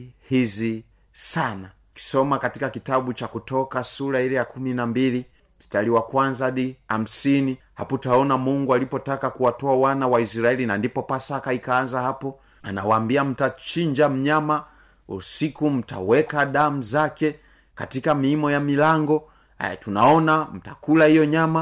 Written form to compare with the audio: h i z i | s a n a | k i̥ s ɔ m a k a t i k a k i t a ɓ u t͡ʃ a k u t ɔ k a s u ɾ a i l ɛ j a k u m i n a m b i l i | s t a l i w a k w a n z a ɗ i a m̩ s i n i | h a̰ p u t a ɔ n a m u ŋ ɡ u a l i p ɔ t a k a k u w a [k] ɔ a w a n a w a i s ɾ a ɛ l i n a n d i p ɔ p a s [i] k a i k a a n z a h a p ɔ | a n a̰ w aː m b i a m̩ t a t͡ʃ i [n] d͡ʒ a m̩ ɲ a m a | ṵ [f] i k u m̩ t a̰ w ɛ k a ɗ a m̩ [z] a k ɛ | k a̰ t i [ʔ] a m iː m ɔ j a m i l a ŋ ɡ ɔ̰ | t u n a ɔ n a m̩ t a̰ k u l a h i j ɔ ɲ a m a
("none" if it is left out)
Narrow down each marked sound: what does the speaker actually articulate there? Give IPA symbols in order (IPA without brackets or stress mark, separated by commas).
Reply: t, a, ɲ, s, z, k